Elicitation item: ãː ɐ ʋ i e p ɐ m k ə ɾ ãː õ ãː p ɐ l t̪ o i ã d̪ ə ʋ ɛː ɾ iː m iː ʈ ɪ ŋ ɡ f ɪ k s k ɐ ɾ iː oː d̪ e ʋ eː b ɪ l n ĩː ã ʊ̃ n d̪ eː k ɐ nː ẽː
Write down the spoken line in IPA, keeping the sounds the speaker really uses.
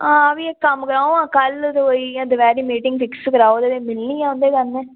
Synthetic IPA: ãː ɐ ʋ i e k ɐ m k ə ɾ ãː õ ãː k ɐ l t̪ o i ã d̪ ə ʋ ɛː ɾ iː m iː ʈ ɪ ŋ ɡ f ɪ k s k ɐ ɾ aː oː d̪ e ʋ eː m ɪ l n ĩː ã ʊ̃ n d̪ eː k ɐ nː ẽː